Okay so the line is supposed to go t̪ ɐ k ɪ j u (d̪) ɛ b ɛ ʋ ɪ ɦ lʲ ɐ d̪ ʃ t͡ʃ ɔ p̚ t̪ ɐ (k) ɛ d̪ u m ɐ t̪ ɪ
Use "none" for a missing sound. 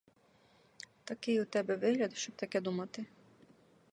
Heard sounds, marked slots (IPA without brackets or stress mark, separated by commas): t̪, k